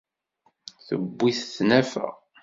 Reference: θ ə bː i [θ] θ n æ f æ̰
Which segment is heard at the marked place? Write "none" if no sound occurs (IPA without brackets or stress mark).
θ